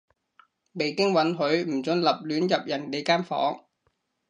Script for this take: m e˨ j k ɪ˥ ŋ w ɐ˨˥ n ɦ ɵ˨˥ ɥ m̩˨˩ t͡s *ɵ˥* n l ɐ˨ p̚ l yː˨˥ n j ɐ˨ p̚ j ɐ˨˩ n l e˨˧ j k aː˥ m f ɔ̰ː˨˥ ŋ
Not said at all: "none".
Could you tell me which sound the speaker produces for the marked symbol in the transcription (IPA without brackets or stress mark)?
ɵ˨˧